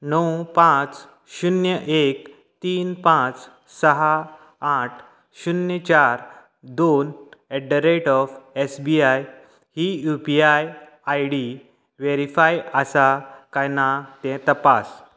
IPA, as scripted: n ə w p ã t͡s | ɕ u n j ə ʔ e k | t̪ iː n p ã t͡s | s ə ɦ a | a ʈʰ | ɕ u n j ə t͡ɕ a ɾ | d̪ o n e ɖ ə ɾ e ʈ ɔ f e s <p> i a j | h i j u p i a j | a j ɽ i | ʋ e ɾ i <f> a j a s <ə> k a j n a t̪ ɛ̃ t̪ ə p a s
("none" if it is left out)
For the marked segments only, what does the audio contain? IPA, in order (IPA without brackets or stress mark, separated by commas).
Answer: b, f, a